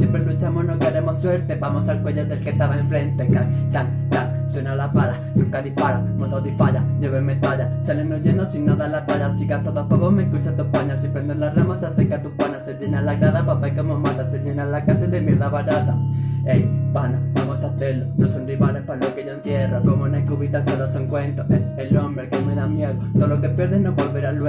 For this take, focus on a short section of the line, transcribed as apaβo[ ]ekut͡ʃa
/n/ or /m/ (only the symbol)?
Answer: m